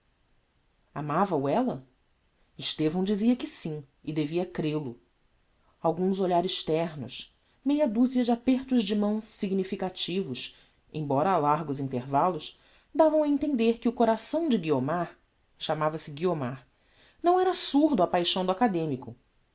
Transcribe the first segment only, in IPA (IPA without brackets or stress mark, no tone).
a